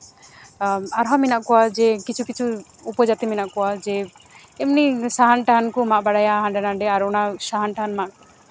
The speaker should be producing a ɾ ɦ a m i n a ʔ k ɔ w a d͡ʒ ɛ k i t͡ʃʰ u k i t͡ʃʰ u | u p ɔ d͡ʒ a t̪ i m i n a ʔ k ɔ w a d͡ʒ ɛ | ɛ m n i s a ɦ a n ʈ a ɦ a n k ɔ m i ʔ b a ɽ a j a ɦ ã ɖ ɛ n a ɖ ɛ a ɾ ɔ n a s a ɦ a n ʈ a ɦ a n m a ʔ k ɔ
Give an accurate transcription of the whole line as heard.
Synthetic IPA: a ɾ ɦ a m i n a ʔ k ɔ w a d͡ʒ ɛ k i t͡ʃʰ u k i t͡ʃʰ u | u p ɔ d͡ʒ a t̪ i m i n a ʔ k ɔ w a d͡ʒ ɛ | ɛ m n i s a ɦ a n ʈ a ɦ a n k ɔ m a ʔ b a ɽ a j a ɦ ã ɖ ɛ n a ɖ ɛ a ɾ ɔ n a s a ɦ a n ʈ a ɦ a n m a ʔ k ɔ